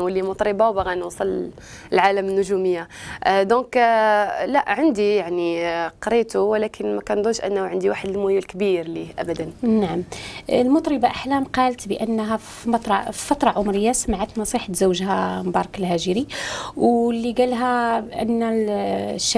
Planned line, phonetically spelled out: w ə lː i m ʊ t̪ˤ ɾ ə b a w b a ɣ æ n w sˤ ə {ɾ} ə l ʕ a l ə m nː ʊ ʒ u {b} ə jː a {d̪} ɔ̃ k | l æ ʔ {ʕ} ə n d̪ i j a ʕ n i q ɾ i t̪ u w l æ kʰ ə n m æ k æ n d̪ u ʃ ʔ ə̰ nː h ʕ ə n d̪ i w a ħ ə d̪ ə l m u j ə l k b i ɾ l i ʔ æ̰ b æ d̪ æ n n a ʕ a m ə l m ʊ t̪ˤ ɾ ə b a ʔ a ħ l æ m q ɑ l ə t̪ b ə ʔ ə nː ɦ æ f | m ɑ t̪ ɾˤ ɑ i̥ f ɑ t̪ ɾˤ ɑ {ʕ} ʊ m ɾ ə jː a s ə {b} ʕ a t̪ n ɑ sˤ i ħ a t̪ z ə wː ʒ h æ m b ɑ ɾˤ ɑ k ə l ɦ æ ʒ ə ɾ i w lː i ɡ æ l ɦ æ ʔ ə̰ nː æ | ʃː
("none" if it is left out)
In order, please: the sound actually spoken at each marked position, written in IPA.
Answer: l, m, d̪, ʕ, ʕ, m

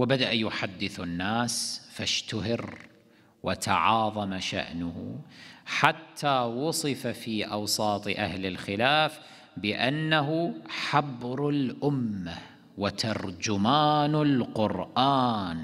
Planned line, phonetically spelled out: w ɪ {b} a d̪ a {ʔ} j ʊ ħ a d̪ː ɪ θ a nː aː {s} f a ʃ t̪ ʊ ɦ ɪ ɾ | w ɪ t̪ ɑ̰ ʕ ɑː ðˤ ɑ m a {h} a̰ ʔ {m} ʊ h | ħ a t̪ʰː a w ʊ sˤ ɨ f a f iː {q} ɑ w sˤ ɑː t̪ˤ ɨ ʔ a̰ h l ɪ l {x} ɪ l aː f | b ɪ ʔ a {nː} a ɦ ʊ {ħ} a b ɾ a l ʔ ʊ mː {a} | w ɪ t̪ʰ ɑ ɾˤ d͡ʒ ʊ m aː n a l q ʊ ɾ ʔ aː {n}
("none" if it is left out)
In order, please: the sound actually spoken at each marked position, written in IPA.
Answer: b, ʔ, s, ʃ, n, ʔ, x, nː, ħ, a, n

